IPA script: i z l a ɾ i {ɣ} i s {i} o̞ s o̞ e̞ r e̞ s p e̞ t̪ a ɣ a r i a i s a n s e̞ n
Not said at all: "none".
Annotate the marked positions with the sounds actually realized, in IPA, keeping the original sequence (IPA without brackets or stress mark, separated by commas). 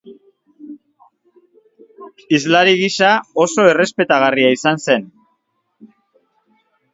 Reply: ɣ, a